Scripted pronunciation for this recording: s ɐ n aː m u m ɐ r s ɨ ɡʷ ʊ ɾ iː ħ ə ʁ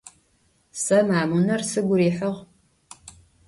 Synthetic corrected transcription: s ɐ m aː m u n ɐ r s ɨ ɡʷ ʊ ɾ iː ħ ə ʁ

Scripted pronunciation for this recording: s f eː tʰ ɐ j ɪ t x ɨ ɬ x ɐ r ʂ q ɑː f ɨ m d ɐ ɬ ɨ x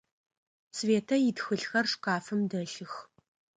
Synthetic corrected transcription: s v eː tʰ ɐ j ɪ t x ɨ ɬ x ɐ r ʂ q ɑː f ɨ m d ɐ ɬ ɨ x

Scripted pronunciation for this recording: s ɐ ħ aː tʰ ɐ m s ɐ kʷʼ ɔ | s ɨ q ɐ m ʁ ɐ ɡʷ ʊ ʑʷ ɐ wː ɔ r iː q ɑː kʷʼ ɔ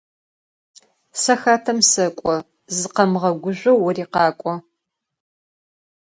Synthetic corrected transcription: s ɐ x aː tʰ ɐ m s ɐ kʷʼ ɔ | z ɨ q ɐ m ʁ ɐ ɡʷ ʊ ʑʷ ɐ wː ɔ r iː q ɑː kʷʼ ɔ

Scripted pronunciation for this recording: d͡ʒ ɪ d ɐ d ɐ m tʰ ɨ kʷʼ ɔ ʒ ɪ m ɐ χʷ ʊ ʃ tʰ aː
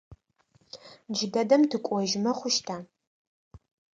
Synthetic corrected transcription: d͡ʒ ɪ d ɐ d ɐ m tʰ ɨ kʷʼ ɔ ʒ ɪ m ɐ χʷ ʊ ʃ tʰ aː

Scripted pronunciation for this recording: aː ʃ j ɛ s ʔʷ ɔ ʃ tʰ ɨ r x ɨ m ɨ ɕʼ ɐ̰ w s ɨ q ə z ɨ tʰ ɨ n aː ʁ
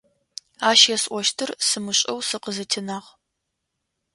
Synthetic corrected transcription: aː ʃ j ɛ s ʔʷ ɔ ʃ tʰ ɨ r s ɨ m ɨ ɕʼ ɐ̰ w s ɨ q ə z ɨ tʰ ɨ n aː ʁ

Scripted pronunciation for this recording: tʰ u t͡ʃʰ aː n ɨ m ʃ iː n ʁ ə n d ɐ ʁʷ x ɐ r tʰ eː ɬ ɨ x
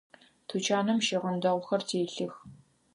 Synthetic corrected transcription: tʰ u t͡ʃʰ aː n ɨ m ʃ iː ʁ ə n d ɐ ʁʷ x ɐ r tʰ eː ɬ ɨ x

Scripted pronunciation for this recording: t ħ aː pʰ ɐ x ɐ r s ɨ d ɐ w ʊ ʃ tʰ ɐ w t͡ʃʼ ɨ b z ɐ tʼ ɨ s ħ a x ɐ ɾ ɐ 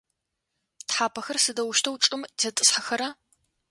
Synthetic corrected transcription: t ħ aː pʰ ɐ x ɐ r s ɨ d ɐ w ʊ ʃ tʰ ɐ w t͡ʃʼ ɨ m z ɐ tʼ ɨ s ħ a x ɐ ɾ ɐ

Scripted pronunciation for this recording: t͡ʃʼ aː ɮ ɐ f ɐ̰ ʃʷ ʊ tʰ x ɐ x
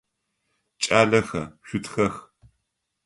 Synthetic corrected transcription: t͡ʃʼ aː ɮ ɐ x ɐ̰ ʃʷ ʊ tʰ x ɐ x

